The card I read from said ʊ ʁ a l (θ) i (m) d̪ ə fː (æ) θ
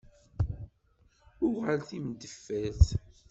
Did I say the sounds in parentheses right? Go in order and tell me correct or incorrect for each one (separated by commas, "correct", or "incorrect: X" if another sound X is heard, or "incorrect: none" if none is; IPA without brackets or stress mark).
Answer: correct, correct, correct